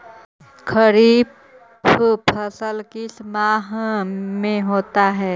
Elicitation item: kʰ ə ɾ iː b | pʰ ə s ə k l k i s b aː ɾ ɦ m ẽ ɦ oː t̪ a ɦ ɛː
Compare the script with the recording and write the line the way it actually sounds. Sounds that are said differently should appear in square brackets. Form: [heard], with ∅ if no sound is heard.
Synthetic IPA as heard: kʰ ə ɾ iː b | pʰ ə s ə [∅] l k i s [m] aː [∅] ɦ m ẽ ɦ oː t̪ a ɦ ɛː